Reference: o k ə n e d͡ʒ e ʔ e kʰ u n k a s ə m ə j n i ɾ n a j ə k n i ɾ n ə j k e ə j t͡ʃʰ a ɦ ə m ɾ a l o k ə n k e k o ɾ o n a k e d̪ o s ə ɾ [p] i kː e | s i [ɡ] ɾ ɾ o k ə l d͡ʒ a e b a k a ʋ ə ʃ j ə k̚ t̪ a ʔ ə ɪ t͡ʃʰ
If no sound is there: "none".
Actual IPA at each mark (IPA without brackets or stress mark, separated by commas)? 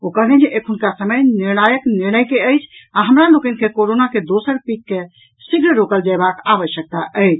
p, ɡ